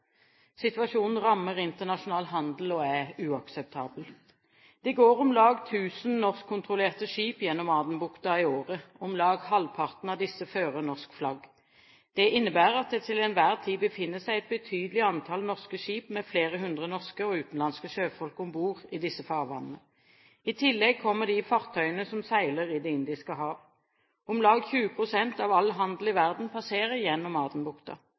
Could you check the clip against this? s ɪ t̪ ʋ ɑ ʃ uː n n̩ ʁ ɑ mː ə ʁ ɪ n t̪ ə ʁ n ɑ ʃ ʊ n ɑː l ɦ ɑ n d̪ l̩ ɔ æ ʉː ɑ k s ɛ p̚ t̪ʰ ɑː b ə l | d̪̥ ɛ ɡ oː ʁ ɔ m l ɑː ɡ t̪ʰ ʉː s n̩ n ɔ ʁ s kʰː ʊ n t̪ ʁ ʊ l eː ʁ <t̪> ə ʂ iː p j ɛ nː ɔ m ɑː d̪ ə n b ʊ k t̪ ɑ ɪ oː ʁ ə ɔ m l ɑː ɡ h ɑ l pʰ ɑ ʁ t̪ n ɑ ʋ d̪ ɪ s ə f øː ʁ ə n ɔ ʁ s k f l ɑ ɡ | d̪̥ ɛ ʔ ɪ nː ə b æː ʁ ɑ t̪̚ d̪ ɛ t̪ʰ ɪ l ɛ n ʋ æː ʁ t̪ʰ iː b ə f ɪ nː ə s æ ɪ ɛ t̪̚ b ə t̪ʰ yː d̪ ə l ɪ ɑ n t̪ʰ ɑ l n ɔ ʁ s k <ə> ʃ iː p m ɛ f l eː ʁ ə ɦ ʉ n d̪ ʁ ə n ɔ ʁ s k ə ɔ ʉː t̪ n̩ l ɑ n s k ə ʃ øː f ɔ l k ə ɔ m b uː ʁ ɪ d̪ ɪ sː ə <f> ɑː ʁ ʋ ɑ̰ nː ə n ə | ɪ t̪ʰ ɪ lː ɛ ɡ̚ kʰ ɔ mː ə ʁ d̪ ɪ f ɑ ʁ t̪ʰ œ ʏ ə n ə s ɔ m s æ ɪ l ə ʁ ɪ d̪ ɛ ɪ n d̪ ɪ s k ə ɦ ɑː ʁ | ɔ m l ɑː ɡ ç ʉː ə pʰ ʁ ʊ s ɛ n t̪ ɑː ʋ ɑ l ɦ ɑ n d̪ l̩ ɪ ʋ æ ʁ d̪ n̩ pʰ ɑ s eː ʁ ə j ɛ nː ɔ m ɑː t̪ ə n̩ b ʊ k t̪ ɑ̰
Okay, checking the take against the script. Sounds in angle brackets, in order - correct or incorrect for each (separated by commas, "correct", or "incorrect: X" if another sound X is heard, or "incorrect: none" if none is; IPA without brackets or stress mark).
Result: correct, correct, correct